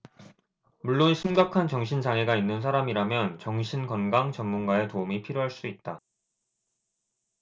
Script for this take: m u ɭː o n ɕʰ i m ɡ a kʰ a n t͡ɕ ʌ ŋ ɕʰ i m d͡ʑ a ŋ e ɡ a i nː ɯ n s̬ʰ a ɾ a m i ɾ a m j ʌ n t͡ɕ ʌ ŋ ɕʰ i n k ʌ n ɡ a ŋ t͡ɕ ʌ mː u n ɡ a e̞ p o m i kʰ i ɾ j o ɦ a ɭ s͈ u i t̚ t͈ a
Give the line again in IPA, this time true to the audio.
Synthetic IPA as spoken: m u ɭː o n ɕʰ i m ɡ a kʰ a n t͡ɕ ʌ ŋ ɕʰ i n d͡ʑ a ŋ e ɡ a i nː ɯ n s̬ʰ a ɾ a m i ɾ a m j ʌ n t͡ɕ ʌ ŋ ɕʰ i n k ʌ n ɡ a ŋ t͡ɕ ʌ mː u n ɡ a e̞ t o m i pʰ i ɾ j o ɦ a ɭ s͈ u i t̚ t͈ a